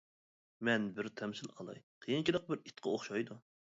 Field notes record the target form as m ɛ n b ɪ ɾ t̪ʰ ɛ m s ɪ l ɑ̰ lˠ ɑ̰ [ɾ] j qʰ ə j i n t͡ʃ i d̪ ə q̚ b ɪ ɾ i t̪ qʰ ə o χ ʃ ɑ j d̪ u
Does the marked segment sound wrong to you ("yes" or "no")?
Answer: yes